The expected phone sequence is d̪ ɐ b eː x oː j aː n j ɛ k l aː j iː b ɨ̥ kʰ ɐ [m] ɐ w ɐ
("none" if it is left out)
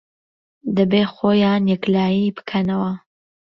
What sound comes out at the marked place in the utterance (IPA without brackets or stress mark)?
n